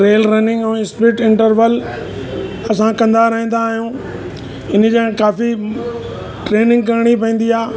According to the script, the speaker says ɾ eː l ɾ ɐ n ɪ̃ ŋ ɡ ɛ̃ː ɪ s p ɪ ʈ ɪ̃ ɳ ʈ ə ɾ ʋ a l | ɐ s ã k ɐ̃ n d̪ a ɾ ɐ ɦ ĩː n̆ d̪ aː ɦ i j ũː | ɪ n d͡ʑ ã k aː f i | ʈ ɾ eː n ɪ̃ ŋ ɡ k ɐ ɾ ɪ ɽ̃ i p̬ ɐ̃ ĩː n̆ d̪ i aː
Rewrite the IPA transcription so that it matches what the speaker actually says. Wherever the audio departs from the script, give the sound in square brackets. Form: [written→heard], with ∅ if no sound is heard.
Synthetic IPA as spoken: ɾ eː l ɾ ɐ n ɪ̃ ŋ ɡ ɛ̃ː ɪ s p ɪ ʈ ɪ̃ ɳ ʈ ə ɾ ʋ [a→ə] l | ɐ s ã k ɐ̃ n d̪ a ɾ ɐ ɦ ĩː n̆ d̪ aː ɦ i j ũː | ɪ n d͡ʑ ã k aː f i | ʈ ɾ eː n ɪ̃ ŋ ɡ k ɐ ɾ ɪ ɽ̃ i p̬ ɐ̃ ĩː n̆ d̪ i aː